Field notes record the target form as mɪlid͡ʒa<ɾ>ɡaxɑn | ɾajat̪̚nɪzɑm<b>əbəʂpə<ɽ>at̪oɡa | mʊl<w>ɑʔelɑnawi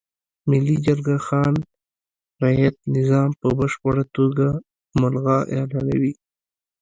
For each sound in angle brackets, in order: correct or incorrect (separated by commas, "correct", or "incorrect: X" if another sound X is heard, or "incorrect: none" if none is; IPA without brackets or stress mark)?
correct, incorrect: p, correct, incorrect: ɣ